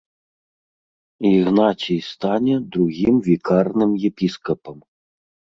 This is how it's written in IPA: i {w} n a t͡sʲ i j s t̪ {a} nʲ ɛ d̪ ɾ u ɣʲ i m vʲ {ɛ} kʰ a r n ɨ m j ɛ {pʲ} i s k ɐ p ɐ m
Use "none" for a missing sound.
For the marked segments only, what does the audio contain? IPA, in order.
ɣ, a, i, pʲ

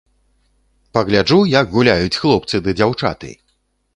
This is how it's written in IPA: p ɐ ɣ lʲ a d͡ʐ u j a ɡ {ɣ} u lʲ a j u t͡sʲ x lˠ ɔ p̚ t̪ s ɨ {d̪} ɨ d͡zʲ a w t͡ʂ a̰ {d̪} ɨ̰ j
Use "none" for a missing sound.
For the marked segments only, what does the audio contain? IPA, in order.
ɣ, d̪, t̪

